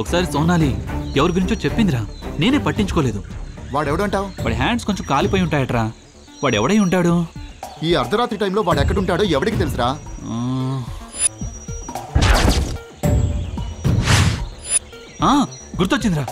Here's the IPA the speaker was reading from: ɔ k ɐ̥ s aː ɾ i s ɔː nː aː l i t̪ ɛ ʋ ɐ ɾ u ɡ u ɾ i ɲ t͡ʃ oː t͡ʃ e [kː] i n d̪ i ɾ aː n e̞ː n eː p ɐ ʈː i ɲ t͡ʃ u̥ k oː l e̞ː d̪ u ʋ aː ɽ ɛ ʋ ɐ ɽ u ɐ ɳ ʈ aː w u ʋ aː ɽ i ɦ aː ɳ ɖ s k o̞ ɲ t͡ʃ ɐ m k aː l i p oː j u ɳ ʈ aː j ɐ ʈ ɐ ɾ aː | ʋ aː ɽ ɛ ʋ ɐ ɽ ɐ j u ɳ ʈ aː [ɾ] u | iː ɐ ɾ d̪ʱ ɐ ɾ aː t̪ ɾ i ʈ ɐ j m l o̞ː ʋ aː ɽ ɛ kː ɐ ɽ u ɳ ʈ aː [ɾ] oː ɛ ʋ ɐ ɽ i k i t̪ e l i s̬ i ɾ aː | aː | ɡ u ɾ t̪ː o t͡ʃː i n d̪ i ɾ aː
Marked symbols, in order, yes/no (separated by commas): no, no, no